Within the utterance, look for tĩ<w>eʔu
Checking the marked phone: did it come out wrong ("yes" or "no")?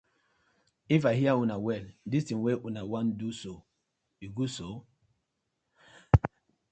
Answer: no